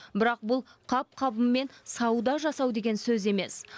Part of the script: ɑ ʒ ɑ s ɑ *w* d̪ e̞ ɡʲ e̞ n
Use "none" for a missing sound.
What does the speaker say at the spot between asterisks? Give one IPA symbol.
w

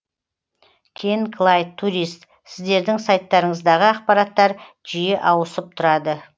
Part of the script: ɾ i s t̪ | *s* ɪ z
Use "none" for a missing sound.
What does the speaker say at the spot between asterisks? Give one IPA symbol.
s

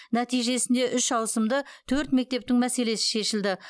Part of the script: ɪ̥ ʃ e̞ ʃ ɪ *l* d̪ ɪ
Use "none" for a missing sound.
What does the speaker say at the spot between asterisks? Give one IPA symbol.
l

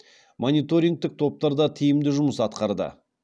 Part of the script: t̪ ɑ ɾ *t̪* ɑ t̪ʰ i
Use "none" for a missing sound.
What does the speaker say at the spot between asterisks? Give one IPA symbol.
d̪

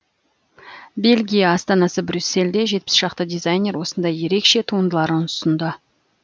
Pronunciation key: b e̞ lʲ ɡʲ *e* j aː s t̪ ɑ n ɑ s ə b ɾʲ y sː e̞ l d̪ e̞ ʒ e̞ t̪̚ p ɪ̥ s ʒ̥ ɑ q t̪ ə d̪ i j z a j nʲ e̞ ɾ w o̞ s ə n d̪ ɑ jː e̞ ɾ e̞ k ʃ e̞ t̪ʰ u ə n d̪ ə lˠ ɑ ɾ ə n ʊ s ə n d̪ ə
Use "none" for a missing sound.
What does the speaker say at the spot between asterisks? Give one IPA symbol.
i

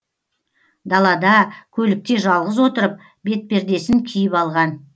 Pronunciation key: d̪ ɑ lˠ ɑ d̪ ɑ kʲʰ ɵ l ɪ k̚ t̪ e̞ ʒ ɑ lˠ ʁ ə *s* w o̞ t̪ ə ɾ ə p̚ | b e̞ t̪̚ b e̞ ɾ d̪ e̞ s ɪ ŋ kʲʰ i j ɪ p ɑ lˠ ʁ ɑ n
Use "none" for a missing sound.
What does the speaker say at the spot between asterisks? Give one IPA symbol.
z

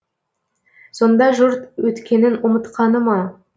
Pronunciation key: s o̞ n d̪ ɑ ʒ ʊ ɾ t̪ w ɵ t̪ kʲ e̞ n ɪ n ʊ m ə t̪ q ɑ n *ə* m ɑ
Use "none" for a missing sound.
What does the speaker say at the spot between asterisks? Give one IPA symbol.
ə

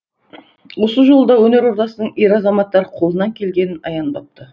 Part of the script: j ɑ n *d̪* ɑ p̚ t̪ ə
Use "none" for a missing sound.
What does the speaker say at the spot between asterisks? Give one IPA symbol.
d̪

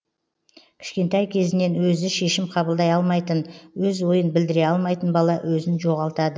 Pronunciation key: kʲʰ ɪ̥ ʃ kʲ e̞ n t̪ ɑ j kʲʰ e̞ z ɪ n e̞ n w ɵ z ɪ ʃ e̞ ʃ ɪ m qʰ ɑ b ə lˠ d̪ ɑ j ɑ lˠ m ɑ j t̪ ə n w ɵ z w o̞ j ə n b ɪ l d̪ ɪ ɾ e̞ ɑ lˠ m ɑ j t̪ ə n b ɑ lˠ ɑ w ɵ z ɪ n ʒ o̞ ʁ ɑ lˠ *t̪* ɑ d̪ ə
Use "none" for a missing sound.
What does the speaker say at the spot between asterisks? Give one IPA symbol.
t̪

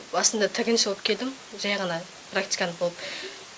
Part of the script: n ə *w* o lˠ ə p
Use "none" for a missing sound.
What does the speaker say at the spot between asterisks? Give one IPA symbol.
b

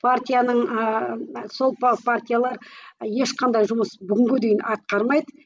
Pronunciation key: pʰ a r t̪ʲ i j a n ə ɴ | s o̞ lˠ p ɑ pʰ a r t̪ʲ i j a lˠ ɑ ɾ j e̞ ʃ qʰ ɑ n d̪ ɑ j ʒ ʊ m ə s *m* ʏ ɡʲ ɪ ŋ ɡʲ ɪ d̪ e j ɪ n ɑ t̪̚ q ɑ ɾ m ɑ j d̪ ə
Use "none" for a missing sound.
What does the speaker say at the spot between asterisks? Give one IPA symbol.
b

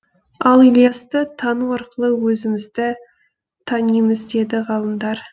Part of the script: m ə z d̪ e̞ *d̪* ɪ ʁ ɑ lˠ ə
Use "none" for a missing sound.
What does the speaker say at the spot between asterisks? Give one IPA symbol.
d̪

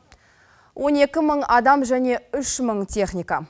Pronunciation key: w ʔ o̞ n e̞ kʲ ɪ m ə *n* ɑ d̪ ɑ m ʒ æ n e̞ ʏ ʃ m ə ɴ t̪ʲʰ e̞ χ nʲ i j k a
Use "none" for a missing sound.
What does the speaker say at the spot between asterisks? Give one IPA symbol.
ɴ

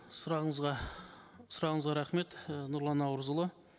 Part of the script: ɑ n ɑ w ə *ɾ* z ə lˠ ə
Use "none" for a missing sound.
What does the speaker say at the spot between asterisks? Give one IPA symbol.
ɾ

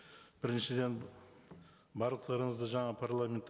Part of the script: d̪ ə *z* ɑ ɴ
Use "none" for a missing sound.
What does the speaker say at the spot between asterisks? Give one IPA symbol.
ʒ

